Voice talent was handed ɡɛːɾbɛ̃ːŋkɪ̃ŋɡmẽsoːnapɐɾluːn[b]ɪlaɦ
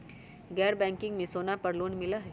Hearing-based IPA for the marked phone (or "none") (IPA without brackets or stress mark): m